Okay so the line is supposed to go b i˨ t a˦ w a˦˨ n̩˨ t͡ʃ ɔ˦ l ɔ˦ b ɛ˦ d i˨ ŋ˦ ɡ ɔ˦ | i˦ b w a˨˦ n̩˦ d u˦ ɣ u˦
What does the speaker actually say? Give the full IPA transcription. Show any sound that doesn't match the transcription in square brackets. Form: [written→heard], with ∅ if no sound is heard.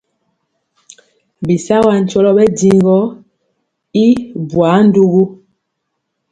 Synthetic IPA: b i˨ [t→s] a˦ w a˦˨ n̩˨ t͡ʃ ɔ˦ l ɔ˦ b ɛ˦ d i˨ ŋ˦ ɡ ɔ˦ | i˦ b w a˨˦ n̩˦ d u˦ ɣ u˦